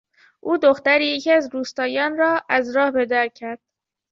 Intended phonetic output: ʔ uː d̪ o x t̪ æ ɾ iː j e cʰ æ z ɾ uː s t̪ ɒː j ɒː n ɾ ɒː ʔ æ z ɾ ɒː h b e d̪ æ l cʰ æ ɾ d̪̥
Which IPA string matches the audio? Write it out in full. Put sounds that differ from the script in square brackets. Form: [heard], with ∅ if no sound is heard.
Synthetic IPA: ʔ uː d̪ o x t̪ æ ɾ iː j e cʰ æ z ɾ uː s t̪ ɒː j ɒː n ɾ ɒː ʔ æ z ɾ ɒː h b e d̪ æ [ɾ] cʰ æ ɾ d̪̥